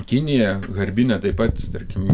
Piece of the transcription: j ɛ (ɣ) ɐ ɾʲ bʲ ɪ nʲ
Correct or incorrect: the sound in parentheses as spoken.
correct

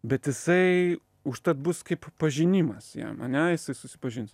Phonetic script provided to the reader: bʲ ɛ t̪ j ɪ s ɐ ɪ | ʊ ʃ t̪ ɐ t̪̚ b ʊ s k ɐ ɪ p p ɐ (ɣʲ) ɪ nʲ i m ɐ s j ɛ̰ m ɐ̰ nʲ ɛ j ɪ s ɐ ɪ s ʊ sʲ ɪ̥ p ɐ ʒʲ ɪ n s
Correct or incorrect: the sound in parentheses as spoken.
incorrect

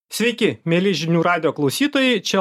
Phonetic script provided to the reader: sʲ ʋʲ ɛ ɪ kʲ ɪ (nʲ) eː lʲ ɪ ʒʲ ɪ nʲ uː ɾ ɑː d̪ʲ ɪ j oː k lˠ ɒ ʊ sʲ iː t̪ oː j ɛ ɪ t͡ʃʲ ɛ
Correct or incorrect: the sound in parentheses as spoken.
incorrect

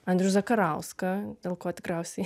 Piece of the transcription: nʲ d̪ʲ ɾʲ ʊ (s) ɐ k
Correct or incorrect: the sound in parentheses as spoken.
incorrect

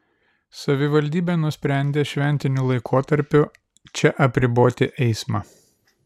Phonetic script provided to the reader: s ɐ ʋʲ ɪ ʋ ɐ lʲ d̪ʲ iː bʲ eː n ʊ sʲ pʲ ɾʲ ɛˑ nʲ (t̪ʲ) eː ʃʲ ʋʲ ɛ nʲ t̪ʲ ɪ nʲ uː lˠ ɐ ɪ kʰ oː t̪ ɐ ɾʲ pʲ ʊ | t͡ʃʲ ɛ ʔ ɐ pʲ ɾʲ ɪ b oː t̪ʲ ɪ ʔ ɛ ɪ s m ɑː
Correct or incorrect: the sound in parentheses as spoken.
incorrect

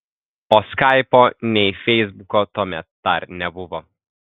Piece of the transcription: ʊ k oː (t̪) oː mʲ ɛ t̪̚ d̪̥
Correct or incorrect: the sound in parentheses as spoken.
correct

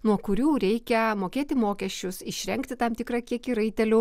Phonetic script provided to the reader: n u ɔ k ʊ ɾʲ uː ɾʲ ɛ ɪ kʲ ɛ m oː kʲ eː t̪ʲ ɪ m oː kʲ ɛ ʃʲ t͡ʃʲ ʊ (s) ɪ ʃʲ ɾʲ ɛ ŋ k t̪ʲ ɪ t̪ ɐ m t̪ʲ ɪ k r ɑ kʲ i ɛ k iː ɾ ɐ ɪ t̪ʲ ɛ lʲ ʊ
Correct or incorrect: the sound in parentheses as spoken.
correct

